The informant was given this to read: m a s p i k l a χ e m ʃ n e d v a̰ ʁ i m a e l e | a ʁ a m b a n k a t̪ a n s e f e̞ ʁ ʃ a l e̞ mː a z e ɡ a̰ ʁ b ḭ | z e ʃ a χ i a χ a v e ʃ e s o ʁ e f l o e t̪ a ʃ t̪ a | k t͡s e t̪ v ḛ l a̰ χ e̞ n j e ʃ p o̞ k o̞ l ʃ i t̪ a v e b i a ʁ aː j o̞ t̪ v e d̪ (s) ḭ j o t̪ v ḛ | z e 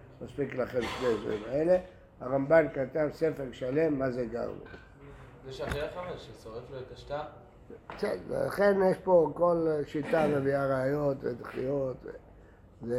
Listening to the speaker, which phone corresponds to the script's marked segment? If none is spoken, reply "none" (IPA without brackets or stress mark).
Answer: χ